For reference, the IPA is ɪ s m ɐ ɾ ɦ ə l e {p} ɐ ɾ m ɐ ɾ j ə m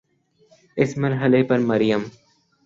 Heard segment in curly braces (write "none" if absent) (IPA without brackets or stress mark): p